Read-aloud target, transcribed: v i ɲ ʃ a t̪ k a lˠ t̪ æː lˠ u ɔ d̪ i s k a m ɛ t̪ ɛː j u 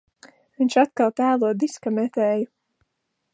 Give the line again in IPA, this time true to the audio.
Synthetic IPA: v i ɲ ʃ a t̪ k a lˠ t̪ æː lˠ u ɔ d̪ i s k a m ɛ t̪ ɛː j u